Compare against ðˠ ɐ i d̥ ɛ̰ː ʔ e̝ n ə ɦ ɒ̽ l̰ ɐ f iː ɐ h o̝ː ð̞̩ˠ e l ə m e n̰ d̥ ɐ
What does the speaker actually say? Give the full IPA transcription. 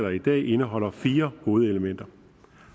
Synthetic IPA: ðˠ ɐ i d̥ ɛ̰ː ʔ e̝ n ə ɦ ɒ̽ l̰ ɐ f iː ɐ h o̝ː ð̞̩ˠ e l ə m e n̰ d̥ ɐ